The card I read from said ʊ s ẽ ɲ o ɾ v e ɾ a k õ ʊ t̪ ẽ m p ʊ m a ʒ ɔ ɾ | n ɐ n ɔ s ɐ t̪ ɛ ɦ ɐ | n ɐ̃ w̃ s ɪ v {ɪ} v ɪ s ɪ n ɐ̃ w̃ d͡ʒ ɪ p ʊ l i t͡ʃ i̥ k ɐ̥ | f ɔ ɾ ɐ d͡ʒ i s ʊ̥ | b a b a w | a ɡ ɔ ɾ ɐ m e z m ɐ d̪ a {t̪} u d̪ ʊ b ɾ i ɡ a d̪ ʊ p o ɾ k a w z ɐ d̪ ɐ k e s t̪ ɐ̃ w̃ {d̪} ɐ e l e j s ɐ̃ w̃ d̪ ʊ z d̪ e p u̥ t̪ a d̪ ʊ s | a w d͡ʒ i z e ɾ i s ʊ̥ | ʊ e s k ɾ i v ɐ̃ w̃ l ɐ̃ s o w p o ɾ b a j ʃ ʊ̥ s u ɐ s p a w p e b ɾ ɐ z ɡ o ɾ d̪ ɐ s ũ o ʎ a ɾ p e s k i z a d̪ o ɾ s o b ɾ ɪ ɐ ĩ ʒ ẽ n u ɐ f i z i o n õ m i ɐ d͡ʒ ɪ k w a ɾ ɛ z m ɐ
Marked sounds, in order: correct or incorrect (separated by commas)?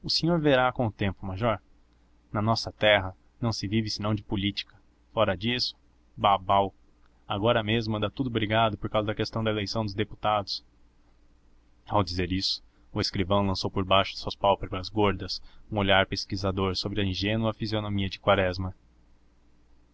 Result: incorrect, correct, correct